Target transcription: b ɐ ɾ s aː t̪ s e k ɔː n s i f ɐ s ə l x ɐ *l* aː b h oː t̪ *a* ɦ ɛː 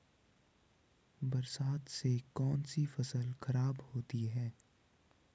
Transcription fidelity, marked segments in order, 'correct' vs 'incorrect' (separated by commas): incorrect, incorrect